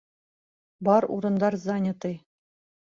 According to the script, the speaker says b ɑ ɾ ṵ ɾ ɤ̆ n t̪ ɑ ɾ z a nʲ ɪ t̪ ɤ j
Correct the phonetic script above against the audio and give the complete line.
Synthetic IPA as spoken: b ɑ ɾ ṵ ɾ ɤ̆ n d̪ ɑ ɾ z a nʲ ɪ t̪ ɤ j

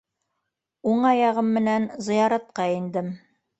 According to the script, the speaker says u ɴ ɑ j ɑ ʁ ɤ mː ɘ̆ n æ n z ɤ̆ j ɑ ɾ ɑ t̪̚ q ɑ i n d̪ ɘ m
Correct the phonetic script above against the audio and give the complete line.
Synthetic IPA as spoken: u ɴ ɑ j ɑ ʁ ɤ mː ɘ̆ n æ n z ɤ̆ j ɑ ɾ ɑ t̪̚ q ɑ i n d̪ ɘ m

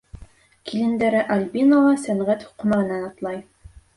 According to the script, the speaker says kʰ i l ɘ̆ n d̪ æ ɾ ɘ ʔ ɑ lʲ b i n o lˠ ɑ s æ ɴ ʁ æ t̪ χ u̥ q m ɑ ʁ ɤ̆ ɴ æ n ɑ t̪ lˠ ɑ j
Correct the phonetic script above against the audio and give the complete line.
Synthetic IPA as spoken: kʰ i l ɘ̆ n d̪ æ ɾ ɘ ʔ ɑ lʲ b i n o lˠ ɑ s æ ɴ ʁ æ t̪ h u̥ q m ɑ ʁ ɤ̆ n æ n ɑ t̪ lˠ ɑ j

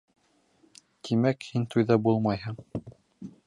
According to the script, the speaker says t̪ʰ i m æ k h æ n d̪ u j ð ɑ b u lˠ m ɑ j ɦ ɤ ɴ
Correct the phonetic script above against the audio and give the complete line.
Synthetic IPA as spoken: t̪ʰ i m æ k h i n t̪ u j ð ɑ b u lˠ m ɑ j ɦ ɤ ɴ

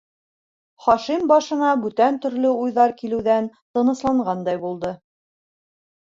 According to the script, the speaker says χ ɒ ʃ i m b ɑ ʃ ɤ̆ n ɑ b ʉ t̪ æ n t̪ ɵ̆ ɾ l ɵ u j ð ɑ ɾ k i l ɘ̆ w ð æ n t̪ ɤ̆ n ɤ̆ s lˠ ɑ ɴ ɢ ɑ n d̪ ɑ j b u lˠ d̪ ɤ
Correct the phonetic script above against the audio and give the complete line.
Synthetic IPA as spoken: χ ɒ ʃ i m b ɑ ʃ ɤ̆ n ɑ b ʉ t̪ æ n t̪ ɵ̆ ɾ l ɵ u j ð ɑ ɾ k i l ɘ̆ w ð æ n t̪ ɤ̆ n ɤ̆ s lˠ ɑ ɴ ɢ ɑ n d̪ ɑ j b u lˠ d̪ ɤ

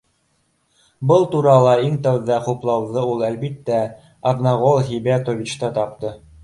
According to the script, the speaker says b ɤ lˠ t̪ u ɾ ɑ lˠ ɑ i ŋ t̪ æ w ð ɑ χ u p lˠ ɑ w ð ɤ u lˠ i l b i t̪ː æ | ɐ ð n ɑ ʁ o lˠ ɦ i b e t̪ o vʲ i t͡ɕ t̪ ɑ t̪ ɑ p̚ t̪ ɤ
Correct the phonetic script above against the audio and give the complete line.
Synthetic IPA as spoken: b ɤ lˠ t̪ u ɾ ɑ lˠ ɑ i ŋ t̪ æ w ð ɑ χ u p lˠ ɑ w ð ɤ u lˠ æ l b i t̪ː æ | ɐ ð n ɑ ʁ o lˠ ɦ i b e t̪ o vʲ i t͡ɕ t̪ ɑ t̪ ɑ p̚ t̪ ɤ

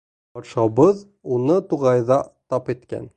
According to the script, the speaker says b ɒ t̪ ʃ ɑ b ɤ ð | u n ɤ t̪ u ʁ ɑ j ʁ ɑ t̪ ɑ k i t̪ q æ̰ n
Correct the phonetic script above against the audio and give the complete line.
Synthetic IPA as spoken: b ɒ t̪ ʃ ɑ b ɤ ð | u n ɤ t̪ u ʁ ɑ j ð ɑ t̪ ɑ p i t̪ k æ̰ n

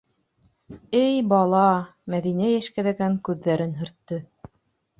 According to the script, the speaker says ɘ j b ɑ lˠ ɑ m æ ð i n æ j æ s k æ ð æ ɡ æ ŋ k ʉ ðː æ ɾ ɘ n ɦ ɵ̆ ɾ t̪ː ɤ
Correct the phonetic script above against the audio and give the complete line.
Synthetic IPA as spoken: ɘ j b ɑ lˠ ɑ m æ ð i n æ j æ ʃ k æ ð æ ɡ æ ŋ k ʉ ðː æ ɾ ɘ n ɦ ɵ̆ ɾ t̪ː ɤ

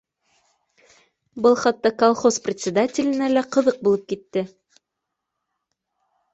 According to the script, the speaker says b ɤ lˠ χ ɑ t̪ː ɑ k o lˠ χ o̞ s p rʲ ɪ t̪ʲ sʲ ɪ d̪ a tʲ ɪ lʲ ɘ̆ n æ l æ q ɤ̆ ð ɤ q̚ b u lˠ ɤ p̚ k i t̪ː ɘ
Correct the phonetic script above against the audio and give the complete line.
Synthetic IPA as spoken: b ɤ lˠ χ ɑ t̪ː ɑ k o lˠ χ o̞ s p rʲ ɪ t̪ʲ sʲ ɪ d̪ a tʲ ɪ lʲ ɘ̆ n æ l æ q ɤ̆ ð ɤ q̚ b u lˠ ɤ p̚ k i t̪ː ɘ

